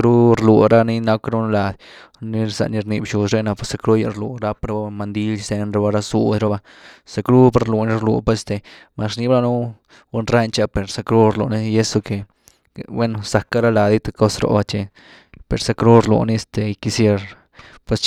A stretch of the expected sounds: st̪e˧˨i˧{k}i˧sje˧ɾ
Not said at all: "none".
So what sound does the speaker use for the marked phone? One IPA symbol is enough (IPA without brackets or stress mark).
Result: k